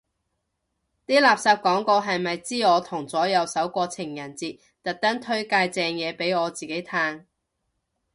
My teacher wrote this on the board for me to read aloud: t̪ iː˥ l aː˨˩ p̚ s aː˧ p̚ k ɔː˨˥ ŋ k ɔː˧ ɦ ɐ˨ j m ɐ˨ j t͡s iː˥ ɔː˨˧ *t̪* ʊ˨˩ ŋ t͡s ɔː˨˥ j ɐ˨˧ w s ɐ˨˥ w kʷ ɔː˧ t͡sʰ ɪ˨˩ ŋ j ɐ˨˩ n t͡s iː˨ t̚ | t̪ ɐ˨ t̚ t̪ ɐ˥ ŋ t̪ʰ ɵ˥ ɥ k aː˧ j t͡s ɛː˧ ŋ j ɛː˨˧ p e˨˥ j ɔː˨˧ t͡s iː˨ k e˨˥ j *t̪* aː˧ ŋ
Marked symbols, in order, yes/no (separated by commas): no, no